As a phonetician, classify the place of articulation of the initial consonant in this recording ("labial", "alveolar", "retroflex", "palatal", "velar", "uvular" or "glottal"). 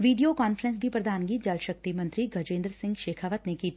labial